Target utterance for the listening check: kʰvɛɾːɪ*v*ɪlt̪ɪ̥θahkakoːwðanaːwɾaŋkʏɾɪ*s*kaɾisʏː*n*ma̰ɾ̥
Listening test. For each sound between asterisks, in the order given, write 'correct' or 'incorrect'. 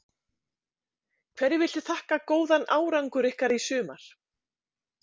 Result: correct, incorrect, incorrect

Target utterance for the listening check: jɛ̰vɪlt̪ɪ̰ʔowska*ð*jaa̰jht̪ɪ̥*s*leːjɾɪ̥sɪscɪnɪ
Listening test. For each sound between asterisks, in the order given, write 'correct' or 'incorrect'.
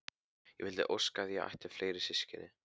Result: correct, incorrect

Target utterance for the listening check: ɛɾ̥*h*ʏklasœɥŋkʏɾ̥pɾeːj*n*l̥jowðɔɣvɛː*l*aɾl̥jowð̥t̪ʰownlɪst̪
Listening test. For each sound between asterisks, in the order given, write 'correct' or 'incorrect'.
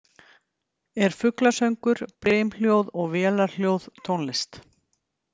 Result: incorrect, incorrect, correct

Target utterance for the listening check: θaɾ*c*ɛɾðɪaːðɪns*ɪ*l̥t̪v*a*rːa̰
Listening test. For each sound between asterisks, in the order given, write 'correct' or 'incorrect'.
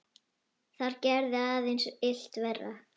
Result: correct, correct, incorrect

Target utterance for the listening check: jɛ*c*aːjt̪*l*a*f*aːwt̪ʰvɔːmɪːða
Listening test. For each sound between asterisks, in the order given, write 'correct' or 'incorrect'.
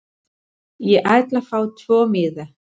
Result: incorrect, correct, correct

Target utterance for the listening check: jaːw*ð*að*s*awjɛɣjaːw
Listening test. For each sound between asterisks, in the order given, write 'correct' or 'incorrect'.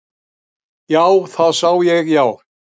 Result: incorrect, correct

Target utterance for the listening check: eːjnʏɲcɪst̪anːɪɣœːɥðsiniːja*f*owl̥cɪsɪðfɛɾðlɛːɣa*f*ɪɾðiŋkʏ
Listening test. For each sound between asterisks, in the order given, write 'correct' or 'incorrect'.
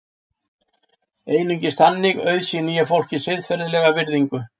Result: correct, incorrect

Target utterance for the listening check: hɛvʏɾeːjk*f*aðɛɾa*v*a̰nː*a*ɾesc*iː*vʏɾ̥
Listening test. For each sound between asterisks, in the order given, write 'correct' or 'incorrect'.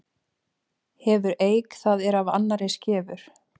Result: incorrect, correct, correct, incorrect

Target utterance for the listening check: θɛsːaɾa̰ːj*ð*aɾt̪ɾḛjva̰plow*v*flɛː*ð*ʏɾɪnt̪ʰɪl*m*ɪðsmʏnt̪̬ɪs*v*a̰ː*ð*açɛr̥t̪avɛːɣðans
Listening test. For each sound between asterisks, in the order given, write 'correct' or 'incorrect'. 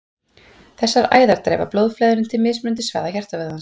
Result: correct, incorrect, correct, correct, correct, correct

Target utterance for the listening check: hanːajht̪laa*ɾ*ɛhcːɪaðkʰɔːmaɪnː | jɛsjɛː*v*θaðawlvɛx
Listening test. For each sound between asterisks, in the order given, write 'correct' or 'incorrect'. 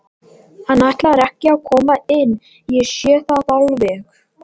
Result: correct, incorrect

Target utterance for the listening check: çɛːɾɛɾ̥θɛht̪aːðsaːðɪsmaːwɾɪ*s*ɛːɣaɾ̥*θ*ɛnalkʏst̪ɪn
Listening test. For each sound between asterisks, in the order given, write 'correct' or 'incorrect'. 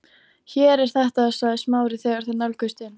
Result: incorrect, correct

